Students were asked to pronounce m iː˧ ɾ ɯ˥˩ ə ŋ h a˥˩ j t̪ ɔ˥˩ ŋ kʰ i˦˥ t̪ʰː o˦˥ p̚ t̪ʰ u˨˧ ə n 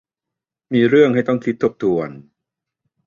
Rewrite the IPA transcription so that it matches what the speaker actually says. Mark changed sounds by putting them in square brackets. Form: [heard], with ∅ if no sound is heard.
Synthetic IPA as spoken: m iː˧ ɾ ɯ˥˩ ə ŋ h a˥˩ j t̪ ɔ˥˩ ŋ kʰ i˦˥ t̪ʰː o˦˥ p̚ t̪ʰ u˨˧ ə n